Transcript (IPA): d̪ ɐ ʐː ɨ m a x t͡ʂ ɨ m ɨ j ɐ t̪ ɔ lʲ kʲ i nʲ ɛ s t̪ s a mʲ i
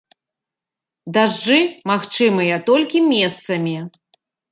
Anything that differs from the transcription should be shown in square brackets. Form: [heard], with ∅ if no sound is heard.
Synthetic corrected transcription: d̪ [a] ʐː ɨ m a x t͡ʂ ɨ m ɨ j ɐ t̪ ɔ lʲ kʲ i [mʲ] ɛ s t̪ s [ɐ] mʲ i